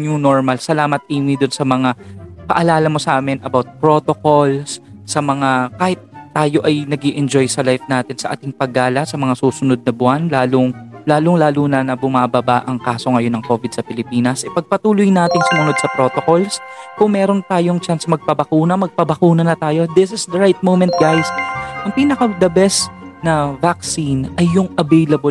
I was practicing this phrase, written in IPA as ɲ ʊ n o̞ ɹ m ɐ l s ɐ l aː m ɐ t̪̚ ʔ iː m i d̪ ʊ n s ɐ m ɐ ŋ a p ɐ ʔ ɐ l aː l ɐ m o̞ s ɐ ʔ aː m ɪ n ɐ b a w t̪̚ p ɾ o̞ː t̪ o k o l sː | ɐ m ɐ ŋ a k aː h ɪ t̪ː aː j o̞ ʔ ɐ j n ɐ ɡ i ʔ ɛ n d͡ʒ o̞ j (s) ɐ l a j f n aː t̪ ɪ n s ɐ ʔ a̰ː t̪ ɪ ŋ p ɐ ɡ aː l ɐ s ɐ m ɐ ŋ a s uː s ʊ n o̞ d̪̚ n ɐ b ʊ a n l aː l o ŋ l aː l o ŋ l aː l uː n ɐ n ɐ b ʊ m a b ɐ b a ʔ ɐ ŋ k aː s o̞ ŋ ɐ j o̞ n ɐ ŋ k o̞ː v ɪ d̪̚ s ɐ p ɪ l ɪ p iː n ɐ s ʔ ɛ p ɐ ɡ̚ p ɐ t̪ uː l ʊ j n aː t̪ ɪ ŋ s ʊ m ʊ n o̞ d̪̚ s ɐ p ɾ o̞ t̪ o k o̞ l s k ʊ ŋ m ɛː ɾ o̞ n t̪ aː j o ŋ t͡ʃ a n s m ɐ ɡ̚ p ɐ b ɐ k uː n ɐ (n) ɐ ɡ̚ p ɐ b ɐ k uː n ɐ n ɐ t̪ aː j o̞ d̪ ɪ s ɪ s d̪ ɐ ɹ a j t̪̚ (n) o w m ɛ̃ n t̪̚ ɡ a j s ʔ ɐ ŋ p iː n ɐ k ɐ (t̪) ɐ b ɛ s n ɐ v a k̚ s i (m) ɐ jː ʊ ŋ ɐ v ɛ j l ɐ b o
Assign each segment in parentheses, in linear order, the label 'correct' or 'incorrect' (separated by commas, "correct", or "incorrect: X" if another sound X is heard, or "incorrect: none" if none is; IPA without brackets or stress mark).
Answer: correct, incorrect: m, incorrect: m, incorrect: d̪, incorrect: n